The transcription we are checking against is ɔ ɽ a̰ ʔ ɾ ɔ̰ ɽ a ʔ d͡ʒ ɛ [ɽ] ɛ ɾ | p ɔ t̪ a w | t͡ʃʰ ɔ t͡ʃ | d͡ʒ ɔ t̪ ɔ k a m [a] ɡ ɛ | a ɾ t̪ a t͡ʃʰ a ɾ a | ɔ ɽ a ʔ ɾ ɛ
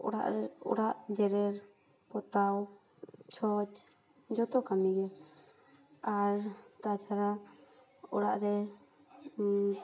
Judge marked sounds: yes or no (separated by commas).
no, no